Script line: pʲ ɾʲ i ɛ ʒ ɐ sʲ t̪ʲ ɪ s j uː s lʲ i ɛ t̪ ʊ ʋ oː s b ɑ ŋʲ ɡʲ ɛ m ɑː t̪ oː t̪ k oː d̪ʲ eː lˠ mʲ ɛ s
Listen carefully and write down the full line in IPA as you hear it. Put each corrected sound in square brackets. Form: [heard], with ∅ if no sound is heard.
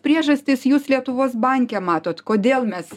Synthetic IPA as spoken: pʲ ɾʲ i ɛ ʒ ɐ sʲ t̪ʲ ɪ s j uː s lʲ i ɛ t̪ ʊ ʋ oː s b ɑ ŋʲ [kʲ] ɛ m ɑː t̪ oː t̪ k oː d̪ʲ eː lˠ mʲ ɛ s